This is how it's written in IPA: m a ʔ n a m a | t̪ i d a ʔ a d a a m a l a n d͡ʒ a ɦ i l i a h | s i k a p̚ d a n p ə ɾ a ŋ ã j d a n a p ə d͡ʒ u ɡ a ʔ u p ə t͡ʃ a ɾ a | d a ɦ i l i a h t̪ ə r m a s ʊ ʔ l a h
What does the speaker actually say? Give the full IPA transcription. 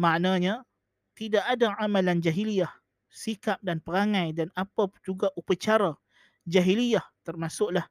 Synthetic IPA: m a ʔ n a ɲ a | t̪ i d a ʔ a d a a m a l a n d͡ʒ a ɦ i l i a h | s i k a p̚ d a n p ə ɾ a ŋ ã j d a n a p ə d͡ʒ u ɡ a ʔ u p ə t͡ʃ a ɾ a | d͡ʒ a ɦ i l i a h t̪ ə r m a s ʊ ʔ l a h